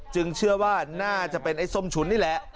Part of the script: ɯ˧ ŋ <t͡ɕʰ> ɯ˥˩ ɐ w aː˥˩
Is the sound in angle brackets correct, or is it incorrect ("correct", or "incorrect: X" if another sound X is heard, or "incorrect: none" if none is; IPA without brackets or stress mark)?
correct